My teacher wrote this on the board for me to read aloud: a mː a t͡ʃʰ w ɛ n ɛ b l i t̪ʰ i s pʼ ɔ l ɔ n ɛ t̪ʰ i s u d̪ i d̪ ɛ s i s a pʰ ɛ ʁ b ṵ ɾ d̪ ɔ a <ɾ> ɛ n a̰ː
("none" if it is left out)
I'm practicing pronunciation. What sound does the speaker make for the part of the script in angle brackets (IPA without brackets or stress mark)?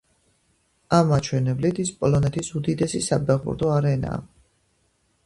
ɾ